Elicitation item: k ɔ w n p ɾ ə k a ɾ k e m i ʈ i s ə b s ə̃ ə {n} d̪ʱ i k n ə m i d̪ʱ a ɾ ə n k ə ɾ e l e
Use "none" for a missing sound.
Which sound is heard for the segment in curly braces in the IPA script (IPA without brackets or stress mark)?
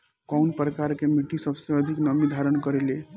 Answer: none